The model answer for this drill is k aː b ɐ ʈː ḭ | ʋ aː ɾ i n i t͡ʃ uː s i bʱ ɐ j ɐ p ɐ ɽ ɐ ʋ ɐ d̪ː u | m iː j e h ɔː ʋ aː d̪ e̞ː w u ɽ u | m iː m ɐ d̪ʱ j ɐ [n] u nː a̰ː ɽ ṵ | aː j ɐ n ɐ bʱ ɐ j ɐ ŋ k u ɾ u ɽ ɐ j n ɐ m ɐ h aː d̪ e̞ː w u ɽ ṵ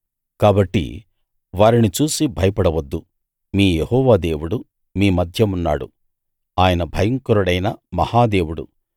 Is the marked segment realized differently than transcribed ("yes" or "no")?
yes